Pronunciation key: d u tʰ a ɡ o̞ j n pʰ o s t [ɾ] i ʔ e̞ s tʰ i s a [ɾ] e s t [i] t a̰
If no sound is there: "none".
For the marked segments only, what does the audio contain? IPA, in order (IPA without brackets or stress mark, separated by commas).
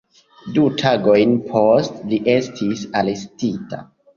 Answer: l, l, i